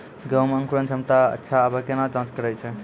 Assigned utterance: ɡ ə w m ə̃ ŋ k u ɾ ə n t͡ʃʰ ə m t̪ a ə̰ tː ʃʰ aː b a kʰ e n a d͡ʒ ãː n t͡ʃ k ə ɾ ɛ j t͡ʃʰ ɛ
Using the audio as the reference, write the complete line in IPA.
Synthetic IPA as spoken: ɡ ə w m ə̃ ŋ k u ɾ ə n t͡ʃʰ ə m t̪ a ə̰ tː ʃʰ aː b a k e n a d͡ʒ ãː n t͡ʃ k ə ɾ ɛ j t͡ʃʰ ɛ